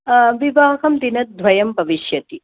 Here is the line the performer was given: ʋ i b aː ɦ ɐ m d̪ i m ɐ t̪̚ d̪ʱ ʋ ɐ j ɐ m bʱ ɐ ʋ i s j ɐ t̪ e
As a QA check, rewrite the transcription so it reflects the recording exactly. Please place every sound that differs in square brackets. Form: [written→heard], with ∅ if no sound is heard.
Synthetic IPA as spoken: ʋ i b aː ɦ ɐ m d̪ i [m→n] ɐ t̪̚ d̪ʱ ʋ ɐ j ɐ m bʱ ɐ ʋ i [s→ʃ] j ɐ t̪ [e→i]